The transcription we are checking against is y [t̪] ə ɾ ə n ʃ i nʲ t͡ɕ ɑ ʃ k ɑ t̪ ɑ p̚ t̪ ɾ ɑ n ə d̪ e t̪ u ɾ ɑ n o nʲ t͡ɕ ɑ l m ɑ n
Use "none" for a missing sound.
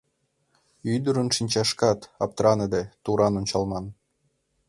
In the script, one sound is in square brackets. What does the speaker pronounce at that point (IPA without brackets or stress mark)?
d̪